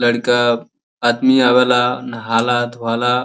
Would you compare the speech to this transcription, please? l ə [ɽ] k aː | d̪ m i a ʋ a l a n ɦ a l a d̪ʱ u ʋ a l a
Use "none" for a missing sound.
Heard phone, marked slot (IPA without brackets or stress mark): ɽ